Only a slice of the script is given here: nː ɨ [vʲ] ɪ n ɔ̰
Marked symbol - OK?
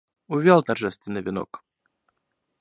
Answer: yes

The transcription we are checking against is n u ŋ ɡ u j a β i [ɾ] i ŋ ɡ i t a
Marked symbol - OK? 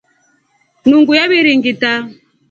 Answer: yes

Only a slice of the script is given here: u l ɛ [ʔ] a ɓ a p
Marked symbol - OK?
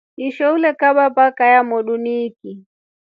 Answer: no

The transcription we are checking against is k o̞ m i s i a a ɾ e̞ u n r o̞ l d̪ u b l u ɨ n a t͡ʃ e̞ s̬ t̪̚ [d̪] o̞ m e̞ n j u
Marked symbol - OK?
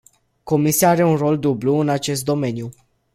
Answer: yes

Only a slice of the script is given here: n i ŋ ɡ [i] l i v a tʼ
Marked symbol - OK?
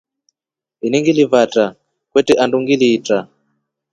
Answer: yes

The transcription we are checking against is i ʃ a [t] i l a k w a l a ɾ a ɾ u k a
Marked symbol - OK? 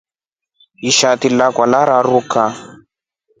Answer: yes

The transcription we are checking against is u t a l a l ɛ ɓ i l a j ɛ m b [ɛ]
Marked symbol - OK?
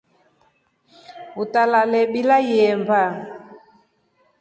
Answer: no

